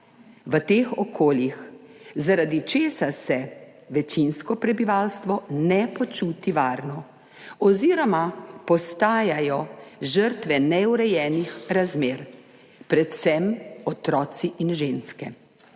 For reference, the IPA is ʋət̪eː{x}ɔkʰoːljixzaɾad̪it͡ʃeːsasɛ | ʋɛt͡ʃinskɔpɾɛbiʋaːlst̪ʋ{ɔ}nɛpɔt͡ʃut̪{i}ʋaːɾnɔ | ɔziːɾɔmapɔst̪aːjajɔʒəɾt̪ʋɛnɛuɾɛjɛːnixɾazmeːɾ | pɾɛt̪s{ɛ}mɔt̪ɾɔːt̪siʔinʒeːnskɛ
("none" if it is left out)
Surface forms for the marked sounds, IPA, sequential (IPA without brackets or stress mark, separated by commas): x, ɔ, i, ɛ